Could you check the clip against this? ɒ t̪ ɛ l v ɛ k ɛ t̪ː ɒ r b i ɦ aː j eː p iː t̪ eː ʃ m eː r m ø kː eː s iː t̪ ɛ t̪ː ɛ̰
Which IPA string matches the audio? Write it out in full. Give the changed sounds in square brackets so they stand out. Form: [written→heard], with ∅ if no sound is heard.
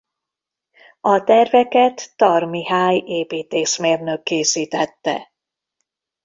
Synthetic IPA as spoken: ɒ t̪ ɛ [l→r] v ɛ k ɛ t̪ː ɒ r [b→m] i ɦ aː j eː p iː t̪ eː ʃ m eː r [m→n] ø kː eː s iː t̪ ɛ t̪ː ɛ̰